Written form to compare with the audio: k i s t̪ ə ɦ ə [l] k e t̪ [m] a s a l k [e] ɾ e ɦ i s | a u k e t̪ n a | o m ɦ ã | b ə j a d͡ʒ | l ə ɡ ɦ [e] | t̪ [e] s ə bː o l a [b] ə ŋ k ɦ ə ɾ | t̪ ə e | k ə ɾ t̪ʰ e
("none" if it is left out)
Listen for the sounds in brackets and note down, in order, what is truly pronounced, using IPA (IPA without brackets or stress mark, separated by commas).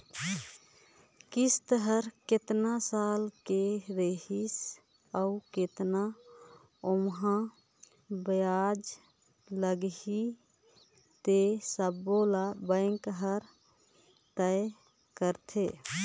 ɾ, n, e, i, e, b